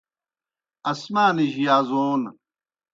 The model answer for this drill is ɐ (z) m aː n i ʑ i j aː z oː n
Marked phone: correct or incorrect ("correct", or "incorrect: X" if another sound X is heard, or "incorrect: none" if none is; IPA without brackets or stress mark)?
incorrect: s